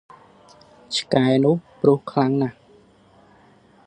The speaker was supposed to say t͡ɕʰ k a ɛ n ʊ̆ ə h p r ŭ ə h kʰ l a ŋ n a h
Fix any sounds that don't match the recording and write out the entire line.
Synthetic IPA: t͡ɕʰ k a ɛ n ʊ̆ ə h p r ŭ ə h kʰ l a ŋ n a h